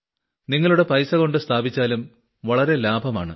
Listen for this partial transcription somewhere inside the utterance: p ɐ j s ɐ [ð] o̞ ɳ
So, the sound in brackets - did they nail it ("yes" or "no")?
no